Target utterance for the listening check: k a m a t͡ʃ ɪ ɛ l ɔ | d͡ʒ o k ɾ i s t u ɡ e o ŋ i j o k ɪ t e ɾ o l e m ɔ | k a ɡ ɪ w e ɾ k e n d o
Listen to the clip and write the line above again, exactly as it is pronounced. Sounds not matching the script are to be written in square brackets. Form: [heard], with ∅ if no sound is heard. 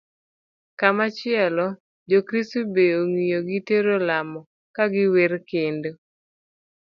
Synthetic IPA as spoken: k a m a t͡ʃ ɪ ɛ l ɔ | d͡ʒ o k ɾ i s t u [b] e o ŋ i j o [ɡ] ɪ t e ɾ o l [a] m ɔ | k a ɡ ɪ w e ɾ k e n d o